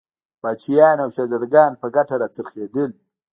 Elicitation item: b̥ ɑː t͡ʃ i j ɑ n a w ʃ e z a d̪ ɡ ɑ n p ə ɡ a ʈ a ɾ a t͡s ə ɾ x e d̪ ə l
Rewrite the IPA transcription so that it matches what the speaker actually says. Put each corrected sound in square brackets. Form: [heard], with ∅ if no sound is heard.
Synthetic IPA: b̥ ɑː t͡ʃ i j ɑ n a w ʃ [a] z a d̪ ɡ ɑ n p ə ɡ a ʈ a ɾ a t͡s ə ɾ x e d̪ ə l